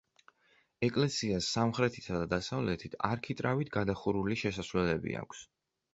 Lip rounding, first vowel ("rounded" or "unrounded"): unrounded